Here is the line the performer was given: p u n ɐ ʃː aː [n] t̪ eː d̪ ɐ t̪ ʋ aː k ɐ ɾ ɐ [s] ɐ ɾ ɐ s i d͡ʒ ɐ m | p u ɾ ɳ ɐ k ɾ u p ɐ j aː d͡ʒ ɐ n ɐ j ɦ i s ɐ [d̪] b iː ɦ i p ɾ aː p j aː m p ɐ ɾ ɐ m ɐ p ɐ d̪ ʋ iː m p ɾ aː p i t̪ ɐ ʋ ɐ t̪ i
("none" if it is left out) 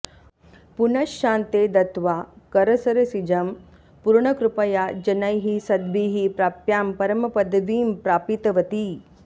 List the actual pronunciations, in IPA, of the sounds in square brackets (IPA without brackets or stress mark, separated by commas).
n, s, d̪